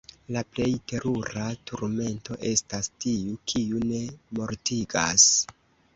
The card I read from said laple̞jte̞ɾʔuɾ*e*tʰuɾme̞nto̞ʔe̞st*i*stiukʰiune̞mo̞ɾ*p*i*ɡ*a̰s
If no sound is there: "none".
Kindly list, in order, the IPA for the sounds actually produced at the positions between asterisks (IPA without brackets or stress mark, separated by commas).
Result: a, a, t, ɡ